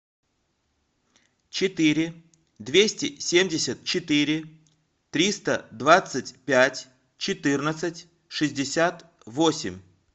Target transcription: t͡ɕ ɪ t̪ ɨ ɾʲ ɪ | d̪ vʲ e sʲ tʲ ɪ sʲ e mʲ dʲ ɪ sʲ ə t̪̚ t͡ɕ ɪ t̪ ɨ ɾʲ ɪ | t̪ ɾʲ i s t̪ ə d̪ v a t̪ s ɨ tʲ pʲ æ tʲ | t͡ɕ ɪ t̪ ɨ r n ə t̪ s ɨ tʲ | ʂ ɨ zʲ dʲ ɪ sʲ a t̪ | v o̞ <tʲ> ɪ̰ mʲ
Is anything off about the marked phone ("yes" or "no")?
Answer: yes